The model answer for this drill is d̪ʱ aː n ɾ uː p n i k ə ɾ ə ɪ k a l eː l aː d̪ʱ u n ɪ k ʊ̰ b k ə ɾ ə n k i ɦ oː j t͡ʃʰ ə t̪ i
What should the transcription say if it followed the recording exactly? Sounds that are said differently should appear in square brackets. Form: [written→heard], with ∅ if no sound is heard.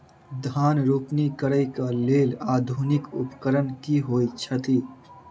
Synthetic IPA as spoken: d̪ʱ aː n ɾ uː p n i k ə ɾ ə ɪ k a l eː l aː d̪ʱ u n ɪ k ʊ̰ [b→p] k ə ɾ ə n k i ɦ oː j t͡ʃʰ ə t̪ i